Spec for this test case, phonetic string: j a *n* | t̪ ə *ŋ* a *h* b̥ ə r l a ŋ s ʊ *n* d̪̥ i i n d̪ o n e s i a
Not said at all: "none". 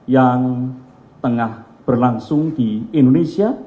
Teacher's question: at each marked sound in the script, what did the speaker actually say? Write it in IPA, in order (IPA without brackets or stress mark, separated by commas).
ŋ, ŋ, h, ŋ